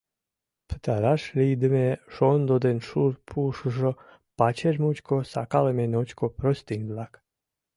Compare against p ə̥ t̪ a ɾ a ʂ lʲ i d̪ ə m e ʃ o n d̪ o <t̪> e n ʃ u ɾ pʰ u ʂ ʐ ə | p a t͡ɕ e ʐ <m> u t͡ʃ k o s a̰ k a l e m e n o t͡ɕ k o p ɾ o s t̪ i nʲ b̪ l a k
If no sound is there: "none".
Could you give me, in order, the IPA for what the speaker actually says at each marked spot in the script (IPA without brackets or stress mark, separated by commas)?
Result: d̪, m